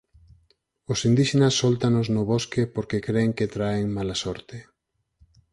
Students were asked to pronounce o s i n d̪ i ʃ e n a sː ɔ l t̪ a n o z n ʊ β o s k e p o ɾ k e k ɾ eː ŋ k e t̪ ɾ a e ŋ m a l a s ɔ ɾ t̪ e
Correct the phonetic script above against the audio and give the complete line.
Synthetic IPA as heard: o s i n d̪ i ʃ e n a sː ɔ l t̪ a n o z n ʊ β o s k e p o ɾ k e k ɾ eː ŋ k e t̪ ɾ a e ŋ m a l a s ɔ ɾ t̪ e